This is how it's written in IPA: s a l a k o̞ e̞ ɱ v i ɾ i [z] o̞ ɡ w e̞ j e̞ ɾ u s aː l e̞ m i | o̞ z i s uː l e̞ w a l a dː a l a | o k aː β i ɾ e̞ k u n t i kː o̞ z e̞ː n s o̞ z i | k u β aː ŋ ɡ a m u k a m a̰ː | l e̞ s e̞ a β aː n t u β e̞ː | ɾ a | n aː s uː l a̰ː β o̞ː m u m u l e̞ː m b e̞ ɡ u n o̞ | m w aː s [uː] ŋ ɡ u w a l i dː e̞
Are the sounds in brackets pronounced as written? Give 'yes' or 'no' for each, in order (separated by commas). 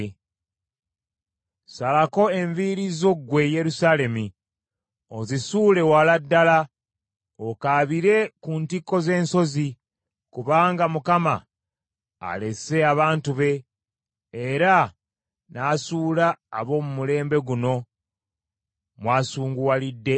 yes, yes